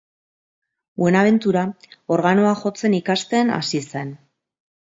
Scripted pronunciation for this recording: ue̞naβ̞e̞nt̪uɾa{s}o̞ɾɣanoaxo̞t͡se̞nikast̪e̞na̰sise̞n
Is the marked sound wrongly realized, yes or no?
yes